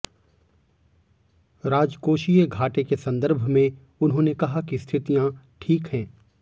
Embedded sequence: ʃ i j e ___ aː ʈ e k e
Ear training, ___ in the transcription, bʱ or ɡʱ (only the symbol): ɡʱ